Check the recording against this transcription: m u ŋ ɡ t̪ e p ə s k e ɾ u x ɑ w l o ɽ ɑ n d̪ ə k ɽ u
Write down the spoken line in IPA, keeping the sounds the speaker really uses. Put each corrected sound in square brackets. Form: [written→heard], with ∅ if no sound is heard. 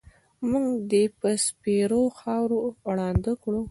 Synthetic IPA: m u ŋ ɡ [t̪→d̪] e p ə s [k→p] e ɾ [u→o] x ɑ w [l→ɾ] o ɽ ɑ n d̪ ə k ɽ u

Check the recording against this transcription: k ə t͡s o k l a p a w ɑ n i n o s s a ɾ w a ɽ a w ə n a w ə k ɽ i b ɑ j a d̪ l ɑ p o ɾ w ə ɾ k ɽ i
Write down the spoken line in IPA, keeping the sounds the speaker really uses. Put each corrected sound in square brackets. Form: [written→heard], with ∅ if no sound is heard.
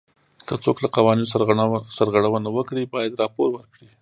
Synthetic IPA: k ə t͡s o k l a [p→q] a w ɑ n i n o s s a ɾ [w→ɣ] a ɽ a w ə n a w ə k ɽ i b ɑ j a d̪ [l→ɾ] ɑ p o ɾ w ə ɾ k ɽ i

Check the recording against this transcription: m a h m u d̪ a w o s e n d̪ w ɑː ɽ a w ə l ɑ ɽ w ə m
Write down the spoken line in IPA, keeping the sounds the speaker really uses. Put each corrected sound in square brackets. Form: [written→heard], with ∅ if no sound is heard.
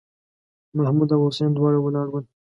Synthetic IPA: m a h m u d̪ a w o s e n d̪ w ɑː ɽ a w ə l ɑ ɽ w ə [m→n]

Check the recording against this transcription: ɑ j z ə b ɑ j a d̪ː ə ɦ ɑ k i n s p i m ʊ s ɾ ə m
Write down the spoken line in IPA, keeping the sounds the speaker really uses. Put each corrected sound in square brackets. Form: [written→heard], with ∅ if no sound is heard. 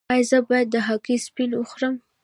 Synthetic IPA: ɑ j z ə b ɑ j a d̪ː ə ɦ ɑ k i [n→∅] s p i [m→n] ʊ [s→x] ɾ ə m

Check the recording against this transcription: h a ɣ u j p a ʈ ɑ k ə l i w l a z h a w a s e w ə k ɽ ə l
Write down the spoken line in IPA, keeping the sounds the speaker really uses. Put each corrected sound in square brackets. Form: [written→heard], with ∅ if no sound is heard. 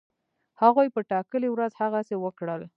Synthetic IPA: h a ɣ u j p [a→ə] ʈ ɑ k ə l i w [l→ɾ] a z h a [w→ɣ] a s e w ə k ɽ ə l

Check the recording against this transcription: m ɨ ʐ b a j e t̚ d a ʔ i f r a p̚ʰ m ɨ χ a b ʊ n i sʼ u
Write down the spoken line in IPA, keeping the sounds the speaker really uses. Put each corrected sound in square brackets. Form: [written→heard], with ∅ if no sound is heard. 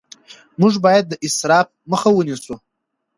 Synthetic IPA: m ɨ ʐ b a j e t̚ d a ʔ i [f→s] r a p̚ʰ m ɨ χ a [b→w] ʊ n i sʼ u

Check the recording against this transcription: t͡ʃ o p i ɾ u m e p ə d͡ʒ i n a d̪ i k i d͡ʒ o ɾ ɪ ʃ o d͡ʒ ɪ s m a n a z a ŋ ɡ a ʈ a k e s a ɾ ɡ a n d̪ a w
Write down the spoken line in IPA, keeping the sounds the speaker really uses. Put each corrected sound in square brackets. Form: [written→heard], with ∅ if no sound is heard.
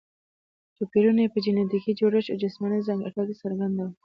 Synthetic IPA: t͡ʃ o p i ɾ u [m→n] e p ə d͡ʒ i n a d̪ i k i d͡ʒ o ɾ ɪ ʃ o d͡ʒ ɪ s m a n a z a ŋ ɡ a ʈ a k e s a ɾ ɡ a n d̪ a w

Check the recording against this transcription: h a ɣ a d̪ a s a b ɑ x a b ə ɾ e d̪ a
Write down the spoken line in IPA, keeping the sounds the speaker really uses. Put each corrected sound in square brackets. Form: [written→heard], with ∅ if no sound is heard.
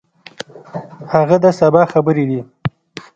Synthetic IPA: h a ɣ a d̪ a s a b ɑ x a b ə ɾ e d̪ [a→i]

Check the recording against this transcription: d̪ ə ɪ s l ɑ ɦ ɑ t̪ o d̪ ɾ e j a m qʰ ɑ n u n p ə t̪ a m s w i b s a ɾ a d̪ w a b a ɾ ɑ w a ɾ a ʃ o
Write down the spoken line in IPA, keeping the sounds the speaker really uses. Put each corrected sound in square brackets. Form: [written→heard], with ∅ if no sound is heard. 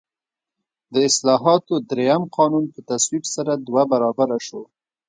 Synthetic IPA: d̪ ə ɪ s l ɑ ɦ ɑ t̪ o d̪ ɾ e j a m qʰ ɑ n u n p ə t̪ a [m→∅] s w i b s a ɾ a d̪ w a b a ɾ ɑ [w→b] a ɾ a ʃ o

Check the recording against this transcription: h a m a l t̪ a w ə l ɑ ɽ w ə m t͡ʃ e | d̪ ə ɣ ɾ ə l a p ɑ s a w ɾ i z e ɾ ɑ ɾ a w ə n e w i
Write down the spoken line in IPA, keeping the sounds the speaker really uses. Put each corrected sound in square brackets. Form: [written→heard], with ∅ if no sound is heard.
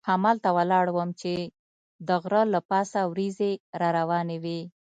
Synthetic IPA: h a m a l t̪ a w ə l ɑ ɽ w ə m t͡ʃ e | d̪ ə ɣ ɾ ə l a p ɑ s a w ɾ i z e ɾ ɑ ɾ a w [ə→ɑ] n e w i

